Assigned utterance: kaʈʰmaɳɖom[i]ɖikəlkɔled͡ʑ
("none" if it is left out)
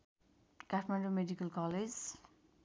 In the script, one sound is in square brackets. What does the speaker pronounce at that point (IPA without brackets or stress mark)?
e